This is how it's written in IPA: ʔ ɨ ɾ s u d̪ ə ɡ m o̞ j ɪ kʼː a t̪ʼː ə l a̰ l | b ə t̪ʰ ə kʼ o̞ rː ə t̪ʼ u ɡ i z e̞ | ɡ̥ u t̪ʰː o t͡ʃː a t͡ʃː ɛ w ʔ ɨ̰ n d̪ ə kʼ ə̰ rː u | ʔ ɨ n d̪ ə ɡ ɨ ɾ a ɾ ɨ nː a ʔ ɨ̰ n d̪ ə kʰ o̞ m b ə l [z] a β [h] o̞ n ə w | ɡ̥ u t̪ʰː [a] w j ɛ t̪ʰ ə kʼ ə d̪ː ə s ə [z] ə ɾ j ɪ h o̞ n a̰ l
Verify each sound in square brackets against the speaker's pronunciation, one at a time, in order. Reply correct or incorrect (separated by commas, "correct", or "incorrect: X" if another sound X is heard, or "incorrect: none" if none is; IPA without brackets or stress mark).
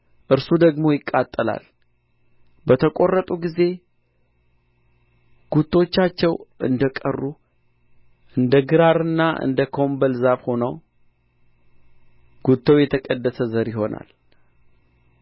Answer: correct, correct, incorrect: ə, correct